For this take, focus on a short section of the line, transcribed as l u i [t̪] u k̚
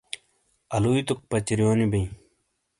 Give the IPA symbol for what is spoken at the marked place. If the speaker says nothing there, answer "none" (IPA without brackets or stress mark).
t̪